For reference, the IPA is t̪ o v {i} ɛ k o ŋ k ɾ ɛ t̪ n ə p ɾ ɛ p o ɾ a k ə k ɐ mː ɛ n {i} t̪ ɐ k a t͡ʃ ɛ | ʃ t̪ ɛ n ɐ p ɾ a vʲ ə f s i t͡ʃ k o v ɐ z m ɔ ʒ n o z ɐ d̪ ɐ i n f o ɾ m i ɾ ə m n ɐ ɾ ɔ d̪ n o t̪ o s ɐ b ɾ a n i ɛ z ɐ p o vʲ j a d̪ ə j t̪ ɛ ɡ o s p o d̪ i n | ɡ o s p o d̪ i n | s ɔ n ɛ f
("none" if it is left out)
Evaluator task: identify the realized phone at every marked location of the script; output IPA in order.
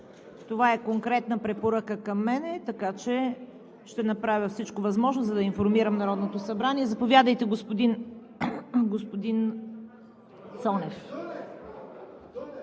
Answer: a, ɛ

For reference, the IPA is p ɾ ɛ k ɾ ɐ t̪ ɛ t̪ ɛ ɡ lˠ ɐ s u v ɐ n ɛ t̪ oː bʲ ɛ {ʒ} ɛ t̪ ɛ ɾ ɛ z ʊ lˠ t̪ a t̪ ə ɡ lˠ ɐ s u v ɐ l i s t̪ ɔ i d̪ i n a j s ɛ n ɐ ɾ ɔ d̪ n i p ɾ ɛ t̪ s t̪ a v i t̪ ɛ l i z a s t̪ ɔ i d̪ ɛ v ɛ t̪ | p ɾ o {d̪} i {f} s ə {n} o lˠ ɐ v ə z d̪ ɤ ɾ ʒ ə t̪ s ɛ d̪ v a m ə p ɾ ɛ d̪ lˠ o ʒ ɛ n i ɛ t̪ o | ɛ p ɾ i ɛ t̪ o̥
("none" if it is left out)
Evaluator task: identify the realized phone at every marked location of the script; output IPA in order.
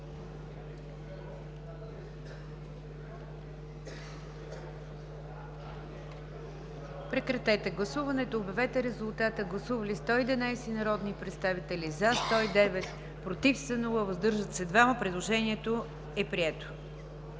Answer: v, t̪, f, n

